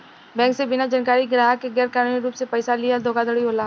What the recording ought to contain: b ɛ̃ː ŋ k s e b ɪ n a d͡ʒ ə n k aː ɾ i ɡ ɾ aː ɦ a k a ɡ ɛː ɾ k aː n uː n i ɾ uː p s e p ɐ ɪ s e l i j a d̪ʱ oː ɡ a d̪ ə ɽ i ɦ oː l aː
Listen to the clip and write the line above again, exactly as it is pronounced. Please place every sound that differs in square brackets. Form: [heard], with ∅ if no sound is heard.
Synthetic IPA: b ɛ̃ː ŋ k s e b ɪ n a d͡ʒ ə n k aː ɾ i ɡ ɾ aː ɦ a k [e] ɡ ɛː ɾ k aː n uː n i ɾ uː p s e p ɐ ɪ s [a] l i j a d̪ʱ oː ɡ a d̪ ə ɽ i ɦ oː l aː